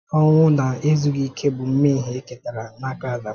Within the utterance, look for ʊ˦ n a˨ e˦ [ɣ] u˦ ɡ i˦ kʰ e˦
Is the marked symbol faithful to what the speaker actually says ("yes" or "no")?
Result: no